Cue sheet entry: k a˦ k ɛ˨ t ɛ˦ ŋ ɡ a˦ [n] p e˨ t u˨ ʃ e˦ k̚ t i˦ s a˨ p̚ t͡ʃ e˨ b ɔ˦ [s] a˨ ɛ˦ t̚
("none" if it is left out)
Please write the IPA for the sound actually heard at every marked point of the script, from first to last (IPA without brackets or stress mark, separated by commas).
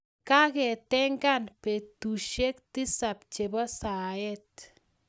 n, s